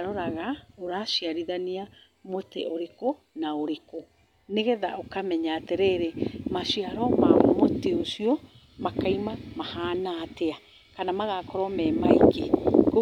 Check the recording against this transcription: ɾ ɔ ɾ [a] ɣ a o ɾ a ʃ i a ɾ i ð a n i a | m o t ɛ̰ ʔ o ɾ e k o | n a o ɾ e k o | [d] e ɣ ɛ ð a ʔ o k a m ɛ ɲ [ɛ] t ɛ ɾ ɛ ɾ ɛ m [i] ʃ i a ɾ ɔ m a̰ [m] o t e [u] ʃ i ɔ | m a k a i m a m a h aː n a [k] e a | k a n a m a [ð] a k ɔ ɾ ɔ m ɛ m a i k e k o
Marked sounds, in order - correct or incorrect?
correct, incorrect, incorrect, incorrect, correct, incorrect, incorrect, incorrect

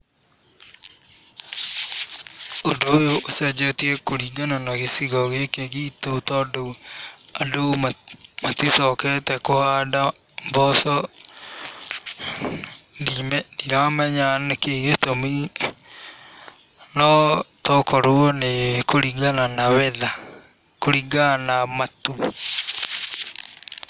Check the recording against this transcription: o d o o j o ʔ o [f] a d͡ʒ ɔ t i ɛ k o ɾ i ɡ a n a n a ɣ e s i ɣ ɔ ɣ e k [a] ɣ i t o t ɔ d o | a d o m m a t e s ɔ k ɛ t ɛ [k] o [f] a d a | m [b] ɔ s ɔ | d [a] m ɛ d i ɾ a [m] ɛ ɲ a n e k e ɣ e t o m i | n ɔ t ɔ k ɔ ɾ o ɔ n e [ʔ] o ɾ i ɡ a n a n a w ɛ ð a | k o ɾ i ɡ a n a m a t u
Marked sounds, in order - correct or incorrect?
incorrect, incorrect, correct, incorrect, correct, incorrect, correct, incorrect

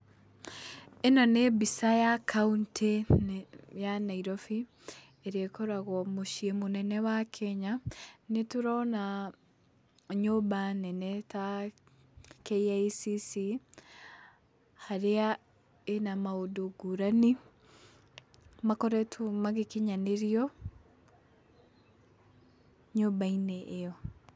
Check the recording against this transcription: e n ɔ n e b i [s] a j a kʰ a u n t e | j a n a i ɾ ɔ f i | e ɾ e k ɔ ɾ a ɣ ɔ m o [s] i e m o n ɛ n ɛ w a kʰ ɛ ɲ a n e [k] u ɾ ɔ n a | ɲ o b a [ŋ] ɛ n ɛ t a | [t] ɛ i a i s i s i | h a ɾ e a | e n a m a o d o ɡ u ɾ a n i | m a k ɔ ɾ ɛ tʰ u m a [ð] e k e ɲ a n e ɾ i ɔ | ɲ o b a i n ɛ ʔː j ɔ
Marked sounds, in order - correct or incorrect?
correct, incorrect, incorrect, incorrect, incorrect, incorrect

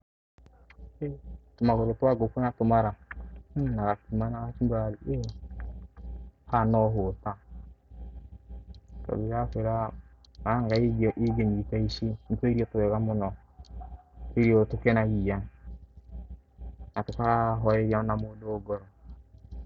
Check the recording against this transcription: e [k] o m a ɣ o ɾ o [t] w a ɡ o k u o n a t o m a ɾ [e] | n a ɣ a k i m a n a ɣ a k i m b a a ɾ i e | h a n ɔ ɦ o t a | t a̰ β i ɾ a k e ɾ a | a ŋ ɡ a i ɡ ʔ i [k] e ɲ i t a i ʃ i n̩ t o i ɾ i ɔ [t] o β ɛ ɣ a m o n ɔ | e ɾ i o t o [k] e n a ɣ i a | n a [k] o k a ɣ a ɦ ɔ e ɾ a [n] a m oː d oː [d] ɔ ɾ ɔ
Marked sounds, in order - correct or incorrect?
incorrect, correct, incorrect, incorrect, correct, correct, incorrect, correct, incorrect

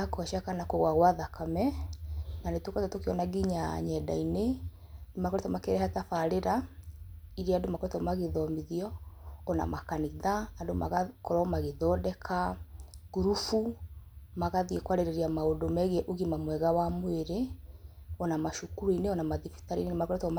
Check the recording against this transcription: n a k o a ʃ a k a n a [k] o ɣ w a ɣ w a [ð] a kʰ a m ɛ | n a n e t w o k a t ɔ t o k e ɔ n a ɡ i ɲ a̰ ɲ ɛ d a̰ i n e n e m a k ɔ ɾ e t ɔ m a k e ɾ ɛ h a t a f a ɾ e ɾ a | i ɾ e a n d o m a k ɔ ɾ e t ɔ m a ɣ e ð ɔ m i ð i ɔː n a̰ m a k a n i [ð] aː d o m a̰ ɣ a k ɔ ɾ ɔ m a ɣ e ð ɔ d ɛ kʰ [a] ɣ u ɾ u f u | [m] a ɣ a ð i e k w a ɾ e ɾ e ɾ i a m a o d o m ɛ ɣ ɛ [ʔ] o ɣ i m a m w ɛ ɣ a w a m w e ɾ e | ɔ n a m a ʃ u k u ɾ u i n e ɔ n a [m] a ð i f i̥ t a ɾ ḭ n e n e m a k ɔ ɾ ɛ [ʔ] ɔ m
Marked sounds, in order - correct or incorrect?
correct, correct, correct, correct, correct, correct, correct, incorrect

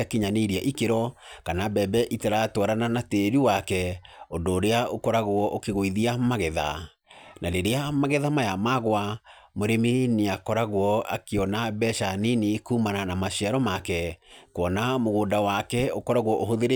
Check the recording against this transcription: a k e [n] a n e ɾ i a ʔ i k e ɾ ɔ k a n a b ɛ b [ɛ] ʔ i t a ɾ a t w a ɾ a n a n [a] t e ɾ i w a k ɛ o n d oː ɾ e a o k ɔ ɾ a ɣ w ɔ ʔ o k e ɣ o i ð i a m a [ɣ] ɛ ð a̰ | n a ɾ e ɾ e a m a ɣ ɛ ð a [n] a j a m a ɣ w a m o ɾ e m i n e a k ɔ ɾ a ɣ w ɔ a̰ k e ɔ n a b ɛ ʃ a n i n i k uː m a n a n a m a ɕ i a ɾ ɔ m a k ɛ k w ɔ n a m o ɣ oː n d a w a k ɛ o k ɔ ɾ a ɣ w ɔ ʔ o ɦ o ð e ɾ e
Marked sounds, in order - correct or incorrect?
incorrect, correct, correct, correct, incorrect

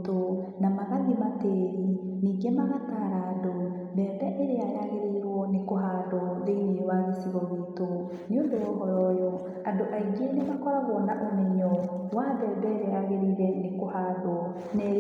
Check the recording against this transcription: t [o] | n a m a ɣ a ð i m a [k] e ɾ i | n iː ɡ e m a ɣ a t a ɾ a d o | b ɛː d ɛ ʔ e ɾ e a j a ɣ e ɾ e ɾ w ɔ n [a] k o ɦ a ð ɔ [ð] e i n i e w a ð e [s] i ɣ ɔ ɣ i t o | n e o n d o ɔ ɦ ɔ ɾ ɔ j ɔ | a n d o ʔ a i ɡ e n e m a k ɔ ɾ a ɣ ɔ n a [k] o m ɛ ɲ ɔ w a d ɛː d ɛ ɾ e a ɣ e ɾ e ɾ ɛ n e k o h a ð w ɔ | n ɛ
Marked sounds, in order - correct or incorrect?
correct, incorrect, incorrect, correct, correct, incorrect

